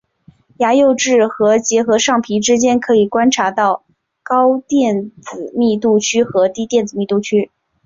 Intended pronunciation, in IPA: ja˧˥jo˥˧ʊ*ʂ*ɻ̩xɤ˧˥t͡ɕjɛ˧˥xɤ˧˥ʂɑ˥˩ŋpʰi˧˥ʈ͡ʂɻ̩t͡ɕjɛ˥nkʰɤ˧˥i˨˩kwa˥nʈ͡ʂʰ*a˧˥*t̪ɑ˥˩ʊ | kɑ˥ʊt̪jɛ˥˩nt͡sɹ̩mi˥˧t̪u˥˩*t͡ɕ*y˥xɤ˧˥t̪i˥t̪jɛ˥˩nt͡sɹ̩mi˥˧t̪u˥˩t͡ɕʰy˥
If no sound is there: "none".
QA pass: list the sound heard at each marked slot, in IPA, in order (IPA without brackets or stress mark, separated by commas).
ʈ͡ʂ, a˧˥, t͡ɕʰ